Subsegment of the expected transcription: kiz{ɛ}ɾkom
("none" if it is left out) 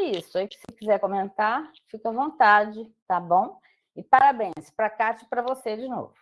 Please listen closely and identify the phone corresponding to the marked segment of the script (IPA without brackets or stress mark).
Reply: ɛ